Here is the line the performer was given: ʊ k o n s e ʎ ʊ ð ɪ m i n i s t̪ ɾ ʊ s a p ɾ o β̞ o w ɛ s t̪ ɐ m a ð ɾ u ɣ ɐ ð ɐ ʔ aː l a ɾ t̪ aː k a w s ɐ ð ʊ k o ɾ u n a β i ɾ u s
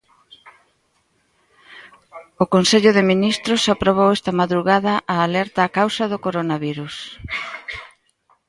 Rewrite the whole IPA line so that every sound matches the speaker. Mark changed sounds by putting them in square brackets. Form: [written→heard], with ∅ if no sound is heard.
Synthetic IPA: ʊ k o n s e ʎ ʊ ð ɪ m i n i s t̪ ɾ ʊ s a p ɾ o β̞ o w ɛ s t̪ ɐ m a ð ɾ u ɣ [ɐ→a] ð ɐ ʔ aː l [a→ɛ] ɾ t̪ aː k a w s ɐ ð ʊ k o ɾ [u→o] n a β i ɾ u s